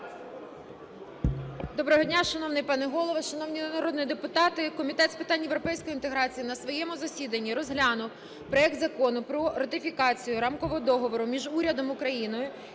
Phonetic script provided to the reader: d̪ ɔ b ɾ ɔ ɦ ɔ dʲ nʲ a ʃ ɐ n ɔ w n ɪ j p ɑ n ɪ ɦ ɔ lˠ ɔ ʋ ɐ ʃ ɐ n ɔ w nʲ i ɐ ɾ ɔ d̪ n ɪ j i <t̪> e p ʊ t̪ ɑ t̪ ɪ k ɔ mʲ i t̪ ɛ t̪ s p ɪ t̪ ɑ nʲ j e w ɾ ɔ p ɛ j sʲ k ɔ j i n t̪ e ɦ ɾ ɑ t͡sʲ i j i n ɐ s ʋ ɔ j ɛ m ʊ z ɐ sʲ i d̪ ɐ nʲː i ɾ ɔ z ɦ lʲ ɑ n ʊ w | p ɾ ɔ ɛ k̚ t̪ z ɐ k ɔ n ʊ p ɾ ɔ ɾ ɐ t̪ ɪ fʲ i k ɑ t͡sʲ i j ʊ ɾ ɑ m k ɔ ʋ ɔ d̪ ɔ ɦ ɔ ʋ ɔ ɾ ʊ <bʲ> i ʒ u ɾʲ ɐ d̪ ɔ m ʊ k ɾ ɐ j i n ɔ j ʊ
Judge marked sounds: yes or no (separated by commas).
no, no